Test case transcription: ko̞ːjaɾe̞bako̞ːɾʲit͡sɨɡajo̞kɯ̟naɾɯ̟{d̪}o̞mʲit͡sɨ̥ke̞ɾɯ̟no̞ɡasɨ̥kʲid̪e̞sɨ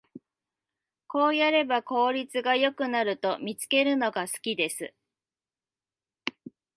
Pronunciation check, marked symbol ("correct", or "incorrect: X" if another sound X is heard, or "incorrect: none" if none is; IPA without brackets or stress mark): incorrect: t̪